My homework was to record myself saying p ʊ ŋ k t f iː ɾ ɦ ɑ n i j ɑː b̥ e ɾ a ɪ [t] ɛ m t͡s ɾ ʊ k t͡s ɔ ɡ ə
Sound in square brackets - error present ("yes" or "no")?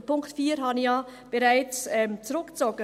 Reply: yes